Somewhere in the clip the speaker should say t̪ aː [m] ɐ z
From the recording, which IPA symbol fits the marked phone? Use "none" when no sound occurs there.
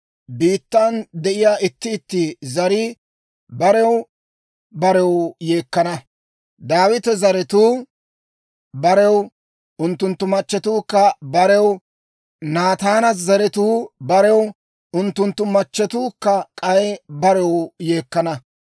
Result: n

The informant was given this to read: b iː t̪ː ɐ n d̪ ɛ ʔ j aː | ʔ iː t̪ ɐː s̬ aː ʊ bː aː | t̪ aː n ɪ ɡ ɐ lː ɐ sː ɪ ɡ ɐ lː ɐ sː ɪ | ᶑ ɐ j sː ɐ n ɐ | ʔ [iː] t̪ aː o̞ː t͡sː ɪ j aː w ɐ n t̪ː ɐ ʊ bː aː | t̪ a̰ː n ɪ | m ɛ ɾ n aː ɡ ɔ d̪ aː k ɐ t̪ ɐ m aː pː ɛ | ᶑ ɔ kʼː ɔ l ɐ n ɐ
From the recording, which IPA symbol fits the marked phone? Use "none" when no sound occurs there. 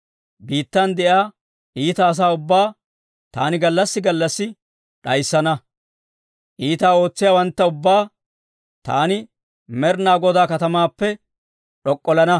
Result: iː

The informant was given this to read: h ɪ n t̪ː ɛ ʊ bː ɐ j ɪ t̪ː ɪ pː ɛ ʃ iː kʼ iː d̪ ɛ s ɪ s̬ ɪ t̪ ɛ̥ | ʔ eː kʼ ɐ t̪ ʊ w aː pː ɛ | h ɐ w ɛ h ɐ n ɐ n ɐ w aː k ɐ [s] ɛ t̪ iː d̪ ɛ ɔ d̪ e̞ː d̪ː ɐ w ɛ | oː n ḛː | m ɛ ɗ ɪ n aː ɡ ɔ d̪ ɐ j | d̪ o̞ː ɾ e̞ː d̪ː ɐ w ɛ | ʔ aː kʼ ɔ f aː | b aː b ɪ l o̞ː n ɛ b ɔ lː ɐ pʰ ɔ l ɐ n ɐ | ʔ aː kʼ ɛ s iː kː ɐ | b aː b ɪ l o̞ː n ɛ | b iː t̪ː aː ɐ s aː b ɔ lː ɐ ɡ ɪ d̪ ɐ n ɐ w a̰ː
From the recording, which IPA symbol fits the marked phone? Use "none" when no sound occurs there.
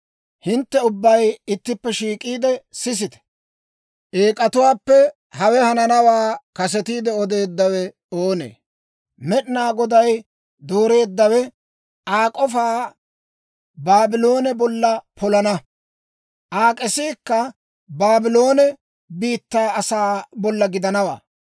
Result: s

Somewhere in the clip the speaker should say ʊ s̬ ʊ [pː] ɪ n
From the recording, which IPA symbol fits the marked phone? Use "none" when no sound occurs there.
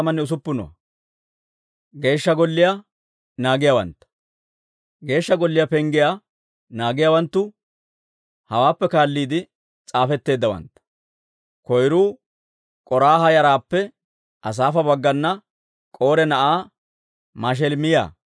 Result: pː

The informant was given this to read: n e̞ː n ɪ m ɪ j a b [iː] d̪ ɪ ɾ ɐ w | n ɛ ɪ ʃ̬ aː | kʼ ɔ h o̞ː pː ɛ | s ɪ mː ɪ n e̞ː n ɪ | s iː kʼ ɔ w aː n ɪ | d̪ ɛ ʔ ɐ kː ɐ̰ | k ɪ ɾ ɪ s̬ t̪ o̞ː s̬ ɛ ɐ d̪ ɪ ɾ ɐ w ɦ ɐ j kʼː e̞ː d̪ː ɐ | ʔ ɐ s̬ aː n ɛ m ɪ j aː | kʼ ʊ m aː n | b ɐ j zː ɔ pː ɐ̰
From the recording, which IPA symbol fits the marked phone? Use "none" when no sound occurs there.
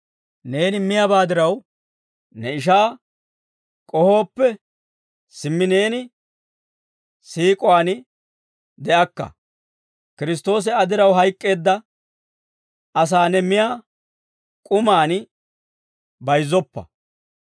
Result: aː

